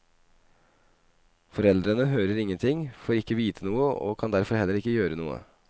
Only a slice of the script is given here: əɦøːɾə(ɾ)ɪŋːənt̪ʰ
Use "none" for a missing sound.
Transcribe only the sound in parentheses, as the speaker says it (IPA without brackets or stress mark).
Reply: ɾ